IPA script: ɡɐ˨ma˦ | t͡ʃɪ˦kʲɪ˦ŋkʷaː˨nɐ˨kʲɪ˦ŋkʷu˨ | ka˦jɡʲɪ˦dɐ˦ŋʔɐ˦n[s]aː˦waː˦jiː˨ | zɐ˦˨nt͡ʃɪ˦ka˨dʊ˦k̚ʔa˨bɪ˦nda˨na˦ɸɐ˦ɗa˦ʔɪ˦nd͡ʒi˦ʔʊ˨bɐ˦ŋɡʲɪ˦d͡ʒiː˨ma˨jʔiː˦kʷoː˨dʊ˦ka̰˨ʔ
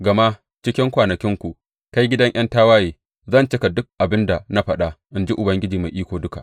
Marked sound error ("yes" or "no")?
yes